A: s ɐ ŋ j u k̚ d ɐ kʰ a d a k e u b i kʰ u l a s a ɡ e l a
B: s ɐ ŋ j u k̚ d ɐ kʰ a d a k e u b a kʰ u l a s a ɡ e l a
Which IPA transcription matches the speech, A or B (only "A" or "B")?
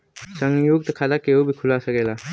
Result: A